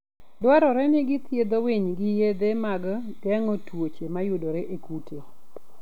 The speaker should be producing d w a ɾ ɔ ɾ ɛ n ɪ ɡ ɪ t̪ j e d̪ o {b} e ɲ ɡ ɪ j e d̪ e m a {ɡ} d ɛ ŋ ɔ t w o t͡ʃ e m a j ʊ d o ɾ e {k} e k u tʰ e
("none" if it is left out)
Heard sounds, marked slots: w, ɡ, ʔ

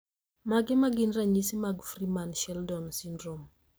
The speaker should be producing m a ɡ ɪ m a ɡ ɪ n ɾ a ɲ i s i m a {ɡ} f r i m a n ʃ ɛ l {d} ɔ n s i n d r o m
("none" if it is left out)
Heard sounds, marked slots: ɡ, d

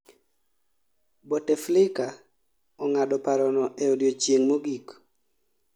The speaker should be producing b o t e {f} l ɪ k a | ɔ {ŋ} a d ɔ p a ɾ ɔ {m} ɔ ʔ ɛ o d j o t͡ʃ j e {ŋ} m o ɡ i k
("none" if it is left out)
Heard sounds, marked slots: f, ŋ, n, ŋ

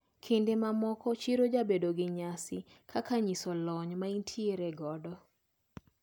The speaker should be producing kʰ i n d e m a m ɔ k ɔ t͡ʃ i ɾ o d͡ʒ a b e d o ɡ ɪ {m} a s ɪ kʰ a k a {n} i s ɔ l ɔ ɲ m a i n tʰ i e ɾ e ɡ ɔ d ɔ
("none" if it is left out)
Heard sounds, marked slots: ɲ, ɲ

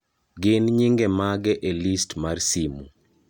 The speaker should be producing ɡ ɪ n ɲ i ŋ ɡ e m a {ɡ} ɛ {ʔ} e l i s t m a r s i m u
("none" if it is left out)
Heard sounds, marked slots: ɡ, ʔ

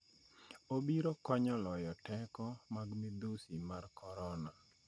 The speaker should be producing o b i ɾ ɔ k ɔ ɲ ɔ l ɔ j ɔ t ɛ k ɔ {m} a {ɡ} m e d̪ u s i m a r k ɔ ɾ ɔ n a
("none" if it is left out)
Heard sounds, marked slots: m, ɡ

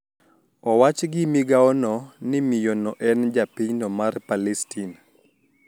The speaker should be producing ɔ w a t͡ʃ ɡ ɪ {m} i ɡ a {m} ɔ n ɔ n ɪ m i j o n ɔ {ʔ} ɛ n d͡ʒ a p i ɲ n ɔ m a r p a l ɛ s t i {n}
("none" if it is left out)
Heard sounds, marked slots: m, none, ʔ, n

